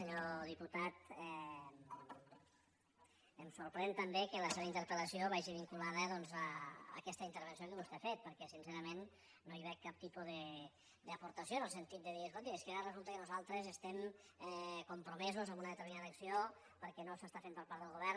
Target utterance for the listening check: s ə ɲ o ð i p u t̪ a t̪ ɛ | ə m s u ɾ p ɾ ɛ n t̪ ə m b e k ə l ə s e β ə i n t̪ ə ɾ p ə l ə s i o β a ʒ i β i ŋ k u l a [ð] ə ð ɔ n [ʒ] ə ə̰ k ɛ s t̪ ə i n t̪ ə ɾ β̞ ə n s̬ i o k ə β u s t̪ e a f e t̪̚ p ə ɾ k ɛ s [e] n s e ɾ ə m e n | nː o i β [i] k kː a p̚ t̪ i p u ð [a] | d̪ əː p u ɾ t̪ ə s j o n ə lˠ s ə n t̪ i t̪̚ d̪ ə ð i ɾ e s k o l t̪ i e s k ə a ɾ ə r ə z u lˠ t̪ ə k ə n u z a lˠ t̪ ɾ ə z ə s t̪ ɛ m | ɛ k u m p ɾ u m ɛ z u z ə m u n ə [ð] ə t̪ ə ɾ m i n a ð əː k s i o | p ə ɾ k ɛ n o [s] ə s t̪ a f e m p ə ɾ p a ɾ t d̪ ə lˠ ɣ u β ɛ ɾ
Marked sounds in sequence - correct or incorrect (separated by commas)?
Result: correct, incorrect, incorrect, incorrect, incorrect, correct, correct